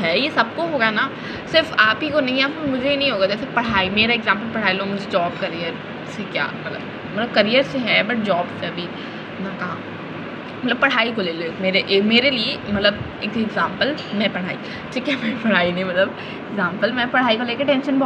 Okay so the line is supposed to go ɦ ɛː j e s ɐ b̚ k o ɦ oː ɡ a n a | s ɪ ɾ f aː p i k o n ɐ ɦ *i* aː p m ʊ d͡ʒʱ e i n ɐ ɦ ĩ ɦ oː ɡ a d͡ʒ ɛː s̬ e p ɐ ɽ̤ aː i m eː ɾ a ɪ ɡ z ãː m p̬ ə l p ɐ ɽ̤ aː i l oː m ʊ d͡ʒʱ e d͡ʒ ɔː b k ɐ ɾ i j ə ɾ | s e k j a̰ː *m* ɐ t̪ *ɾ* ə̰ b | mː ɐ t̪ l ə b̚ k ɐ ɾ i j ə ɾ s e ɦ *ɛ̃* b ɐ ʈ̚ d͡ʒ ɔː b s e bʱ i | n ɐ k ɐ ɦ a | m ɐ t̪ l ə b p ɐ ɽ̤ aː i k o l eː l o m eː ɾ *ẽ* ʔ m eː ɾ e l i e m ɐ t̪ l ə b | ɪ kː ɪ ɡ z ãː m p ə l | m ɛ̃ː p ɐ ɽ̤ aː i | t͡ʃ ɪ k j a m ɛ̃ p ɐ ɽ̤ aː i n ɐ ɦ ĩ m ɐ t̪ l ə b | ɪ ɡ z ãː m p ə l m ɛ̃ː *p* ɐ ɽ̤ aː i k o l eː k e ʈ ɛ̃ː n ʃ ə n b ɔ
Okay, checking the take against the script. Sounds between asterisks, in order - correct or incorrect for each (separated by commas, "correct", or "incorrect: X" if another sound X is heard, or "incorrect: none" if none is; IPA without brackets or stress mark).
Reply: incorrect: ĩ, correct, incorrect: l, incorrect: ɛ, incorrect: e, correct